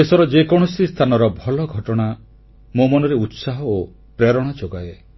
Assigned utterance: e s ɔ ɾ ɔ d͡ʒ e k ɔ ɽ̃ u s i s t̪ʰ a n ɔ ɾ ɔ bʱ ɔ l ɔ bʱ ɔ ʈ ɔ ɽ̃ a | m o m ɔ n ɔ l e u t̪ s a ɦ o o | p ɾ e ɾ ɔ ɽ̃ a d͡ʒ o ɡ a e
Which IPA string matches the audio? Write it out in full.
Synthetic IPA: e s ɔ ɾ ɔ d͡ʒ e k ɔ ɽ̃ ɔ s i s t̪ʰ a n ɔ ɾ ɔ bʱ ɔ l ɔ ɡʱ ɔ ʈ ɔ ɽ̃ a | m o m ɔ n ɔ ɾ e u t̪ s a ɦ ɔ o | p ɾ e ɾ ɔ ɽ̃ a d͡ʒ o ɡ a e